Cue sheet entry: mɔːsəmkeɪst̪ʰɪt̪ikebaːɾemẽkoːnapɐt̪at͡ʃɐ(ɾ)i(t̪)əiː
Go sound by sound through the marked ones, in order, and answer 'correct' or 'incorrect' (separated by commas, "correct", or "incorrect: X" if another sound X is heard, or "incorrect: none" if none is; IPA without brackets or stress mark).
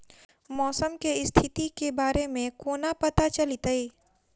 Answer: incorrect: l, correct